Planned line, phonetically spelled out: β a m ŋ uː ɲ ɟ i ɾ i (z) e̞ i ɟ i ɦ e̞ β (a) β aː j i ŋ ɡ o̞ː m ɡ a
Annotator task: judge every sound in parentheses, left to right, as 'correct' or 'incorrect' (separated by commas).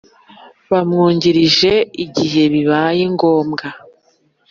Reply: incorrect, incorrect